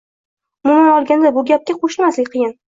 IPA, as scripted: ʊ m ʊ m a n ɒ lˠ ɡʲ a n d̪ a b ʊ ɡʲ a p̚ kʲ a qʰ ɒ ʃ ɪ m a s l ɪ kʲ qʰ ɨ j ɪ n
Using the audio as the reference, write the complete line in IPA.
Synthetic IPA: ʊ m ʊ m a n ɒ lˠ ɡʲ a n d̪ a b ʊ ɡʲ a p̚ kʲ a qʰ o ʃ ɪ m a s l ɪ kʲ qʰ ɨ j ɪ n